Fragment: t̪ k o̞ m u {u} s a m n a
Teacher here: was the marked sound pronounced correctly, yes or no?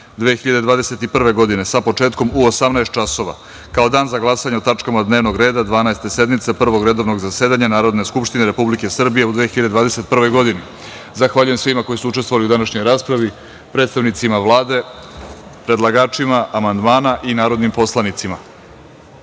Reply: no